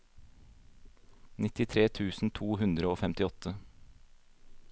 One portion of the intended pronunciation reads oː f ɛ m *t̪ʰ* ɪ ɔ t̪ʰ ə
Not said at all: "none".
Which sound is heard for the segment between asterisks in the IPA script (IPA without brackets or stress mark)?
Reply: t̪